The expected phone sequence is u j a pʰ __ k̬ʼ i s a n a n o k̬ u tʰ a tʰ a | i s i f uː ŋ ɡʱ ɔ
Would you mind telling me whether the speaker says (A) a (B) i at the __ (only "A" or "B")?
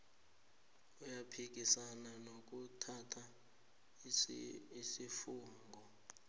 B